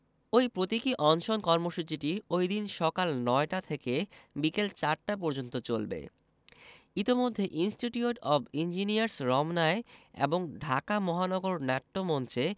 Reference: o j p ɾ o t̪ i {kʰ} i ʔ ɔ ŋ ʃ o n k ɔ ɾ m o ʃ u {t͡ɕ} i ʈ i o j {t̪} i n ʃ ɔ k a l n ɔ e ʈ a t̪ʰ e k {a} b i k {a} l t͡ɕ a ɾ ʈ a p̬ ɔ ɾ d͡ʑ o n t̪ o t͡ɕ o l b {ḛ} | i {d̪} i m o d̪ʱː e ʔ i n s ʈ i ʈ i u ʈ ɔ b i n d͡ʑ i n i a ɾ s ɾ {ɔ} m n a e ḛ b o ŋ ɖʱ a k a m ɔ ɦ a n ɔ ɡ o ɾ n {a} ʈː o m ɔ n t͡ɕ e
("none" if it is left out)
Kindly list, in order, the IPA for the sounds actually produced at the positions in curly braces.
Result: k, t͡ɕ, d̪, e, e, ḛ, t̪, ɔ, ɛ

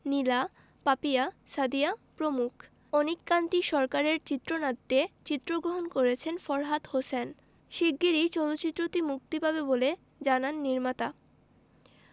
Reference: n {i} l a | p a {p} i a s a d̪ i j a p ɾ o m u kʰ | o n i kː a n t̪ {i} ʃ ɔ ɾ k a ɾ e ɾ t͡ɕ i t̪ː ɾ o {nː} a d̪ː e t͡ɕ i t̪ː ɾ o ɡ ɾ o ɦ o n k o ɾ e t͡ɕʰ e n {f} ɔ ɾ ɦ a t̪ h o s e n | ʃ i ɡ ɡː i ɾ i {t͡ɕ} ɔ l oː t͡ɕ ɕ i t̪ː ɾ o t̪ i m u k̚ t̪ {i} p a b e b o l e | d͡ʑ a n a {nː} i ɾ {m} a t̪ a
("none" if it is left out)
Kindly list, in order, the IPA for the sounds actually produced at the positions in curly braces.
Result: i, p, i, n, f, t͡ɕ, i, nː, m

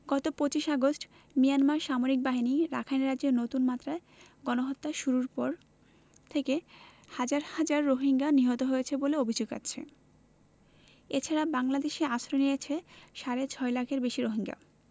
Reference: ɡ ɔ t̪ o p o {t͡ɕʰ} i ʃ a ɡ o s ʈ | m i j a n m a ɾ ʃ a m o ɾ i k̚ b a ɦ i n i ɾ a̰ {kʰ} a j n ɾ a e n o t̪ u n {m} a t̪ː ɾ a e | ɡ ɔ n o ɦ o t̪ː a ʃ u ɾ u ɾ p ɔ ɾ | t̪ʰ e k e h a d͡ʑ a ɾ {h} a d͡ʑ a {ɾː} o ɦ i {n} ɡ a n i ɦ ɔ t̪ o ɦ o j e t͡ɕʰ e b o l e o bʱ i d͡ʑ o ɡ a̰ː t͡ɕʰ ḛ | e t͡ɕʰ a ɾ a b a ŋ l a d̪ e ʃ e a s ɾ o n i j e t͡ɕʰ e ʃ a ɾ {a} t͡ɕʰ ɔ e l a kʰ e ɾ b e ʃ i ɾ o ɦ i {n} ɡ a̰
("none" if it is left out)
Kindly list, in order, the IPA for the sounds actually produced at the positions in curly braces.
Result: t͡ɕ, kʰ, m, h, ɾː, ŋ, e, ŋ

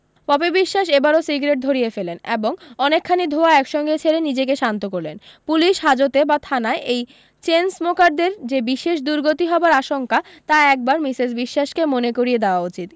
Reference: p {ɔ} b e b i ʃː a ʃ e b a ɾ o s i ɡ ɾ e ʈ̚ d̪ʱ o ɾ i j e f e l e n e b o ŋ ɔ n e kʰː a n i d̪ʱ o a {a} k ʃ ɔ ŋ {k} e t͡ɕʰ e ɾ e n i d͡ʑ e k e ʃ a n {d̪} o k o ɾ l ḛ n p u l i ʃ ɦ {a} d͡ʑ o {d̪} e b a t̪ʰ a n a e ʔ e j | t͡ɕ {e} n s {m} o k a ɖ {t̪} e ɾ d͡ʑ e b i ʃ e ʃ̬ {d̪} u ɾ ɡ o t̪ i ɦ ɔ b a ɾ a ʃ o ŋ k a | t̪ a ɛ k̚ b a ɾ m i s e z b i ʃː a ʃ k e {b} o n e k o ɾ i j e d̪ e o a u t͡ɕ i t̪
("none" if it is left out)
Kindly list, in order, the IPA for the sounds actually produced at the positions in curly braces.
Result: ɔ, ɛ, ɡ, t̪, a, t̪, e, m, d̪, d̪, m

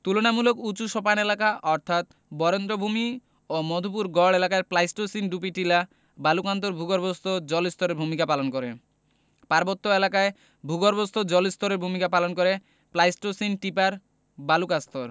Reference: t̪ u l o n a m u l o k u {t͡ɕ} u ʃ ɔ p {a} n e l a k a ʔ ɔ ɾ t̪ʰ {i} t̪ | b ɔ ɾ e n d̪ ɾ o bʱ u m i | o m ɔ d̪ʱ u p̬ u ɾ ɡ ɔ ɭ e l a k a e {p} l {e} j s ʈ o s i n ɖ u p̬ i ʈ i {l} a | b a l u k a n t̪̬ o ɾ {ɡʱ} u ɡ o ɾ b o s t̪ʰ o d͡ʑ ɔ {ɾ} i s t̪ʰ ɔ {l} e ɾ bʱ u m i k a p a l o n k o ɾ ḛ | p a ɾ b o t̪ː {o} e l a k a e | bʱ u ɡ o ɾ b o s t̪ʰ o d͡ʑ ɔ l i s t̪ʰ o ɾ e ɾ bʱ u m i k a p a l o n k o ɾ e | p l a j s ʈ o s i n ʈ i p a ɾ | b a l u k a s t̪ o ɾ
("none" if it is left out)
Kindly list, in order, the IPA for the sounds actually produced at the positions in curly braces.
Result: t͡ɕ, a, a, p, a, l, bʱ, l, ɾ, o

